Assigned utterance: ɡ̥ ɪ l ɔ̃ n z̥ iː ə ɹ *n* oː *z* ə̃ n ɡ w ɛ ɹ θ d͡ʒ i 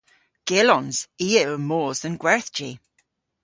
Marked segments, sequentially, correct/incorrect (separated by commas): incorrect, correct